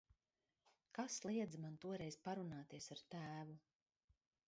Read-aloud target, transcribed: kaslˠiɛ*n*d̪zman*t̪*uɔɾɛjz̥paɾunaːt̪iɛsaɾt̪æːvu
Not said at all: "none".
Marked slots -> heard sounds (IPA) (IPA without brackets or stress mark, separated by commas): none, t̪